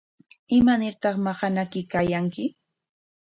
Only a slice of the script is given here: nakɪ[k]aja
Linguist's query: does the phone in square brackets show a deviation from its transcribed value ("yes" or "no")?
no